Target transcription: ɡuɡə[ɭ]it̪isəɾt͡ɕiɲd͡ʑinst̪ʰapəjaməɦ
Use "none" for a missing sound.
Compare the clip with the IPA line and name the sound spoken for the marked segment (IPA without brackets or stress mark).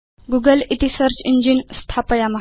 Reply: l